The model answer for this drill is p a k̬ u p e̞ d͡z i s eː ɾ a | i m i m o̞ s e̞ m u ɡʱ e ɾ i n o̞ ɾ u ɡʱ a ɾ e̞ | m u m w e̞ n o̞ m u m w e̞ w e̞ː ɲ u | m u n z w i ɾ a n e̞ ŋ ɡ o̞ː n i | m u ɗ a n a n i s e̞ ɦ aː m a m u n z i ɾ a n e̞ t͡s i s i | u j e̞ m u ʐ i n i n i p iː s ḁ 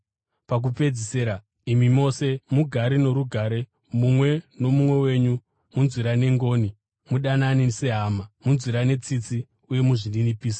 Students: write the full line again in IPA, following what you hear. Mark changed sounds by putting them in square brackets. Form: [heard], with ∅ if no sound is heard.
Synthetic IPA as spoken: p a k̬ u p e̞ d͡z i s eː ɾ a | i m i m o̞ s e̞ m u ɡʱ [a] ɾ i n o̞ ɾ u ɡʱ a ɾ e̞ | m u m w e̞ n o̞ m u m w e̞ w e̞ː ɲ u | m u n z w i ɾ a n e̞ ŋ ɡ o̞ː n i | m u ɗ a n a n i s e̞ ɦ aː m a m u n z i ɾ a n e̞ t͡s i [t͡s] i | u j e̞ m u ʐ i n i n i p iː s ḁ